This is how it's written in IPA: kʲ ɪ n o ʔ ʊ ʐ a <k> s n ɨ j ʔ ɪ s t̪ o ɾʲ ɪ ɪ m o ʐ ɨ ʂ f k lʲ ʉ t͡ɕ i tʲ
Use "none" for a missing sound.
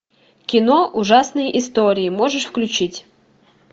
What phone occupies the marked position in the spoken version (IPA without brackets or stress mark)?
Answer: none